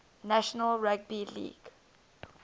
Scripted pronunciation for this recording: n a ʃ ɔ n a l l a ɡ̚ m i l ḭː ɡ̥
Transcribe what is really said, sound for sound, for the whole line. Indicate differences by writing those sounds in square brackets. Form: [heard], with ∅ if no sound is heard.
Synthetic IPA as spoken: n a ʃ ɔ n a l [ɹ] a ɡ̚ [b] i l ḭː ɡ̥